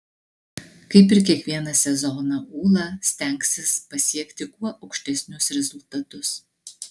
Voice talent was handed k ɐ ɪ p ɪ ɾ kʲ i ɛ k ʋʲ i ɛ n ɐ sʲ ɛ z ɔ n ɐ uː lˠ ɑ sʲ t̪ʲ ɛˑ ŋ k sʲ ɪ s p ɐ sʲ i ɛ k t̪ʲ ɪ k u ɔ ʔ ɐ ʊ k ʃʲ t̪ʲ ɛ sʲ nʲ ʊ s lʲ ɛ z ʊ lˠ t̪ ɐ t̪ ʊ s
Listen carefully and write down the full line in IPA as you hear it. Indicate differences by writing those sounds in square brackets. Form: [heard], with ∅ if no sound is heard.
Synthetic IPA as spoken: k ɐ ɪ p ɪ ɾ kʲ i ɛ k ʋʲ i ɛ n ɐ sʲ ɛ z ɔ n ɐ uː lˠ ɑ sʲ t̪ʲ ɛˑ ŋ k sʲ ɪ s p ɐ sʲ i ɛ k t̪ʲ ɪ k u ɔ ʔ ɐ ʊ k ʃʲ t̪ʲ ɛ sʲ nʲ ʊ s [ɾʲ] ɛ z ʊ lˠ t̪ ɐ t̪ ʊ s

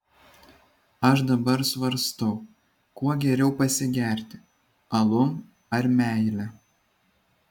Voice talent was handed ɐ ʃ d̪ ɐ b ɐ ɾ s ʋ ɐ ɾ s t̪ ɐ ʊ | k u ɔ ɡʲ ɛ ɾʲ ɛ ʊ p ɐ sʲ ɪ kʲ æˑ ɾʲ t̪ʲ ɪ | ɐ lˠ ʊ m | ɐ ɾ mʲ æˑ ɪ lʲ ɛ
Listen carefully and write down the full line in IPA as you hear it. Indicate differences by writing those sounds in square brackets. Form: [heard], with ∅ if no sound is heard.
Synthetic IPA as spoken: ɐ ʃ d̪ ɐ b ɐ ɾ s ʋ ɐ ɾ s t̪ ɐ ʊ | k u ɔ ɡʲ ɛ ɾʲ ɛ ʊ p ɐ sʲ ɪ [ɡʲ] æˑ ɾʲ t̪ʲ ɪ | ɐ lˠ ʊ m | ɐ ɾ mʲ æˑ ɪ lʲ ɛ

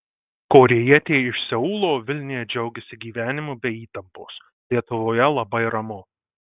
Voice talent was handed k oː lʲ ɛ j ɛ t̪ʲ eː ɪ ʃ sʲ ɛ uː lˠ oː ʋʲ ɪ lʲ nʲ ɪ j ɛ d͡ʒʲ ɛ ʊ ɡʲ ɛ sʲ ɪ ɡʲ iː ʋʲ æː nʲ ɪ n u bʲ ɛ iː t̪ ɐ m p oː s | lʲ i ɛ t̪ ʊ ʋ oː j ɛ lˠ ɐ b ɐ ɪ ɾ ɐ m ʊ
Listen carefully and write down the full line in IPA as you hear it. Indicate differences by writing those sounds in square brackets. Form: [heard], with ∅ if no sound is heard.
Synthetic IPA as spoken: k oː [ɾʲ] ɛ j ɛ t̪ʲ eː ɪ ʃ sʲ ɛ uː lˠ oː ʋʲ ɪ lʲ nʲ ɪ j ɛ d͡ʒʲ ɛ ʊ ɡʲ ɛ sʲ ɪ ɡʲ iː ʋʲ æː nʲ ɪ [m] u bʲ ɛ iː t̪ ɐ m p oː s | lʲ i ɛ t̪ ʊ ʋ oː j ɛ lˠ ɐ b ɐ ɪ ɾ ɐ m ʊ

